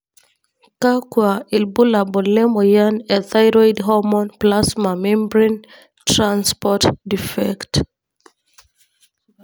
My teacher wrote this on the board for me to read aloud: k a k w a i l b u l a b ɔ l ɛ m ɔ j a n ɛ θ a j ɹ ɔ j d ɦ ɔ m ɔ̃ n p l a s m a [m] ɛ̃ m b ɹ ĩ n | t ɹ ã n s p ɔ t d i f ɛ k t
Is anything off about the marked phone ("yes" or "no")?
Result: no